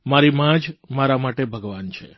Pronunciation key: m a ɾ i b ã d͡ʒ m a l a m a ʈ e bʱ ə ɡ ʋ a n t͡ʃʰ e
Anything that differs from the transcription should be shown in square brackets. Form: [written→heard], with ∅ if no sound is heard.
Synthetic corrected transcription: m a ɾ i [b→m] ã d͡ʒ m a [l→ɾ] a m a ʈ e bʱ ə ɡ ʋ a n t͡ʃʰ e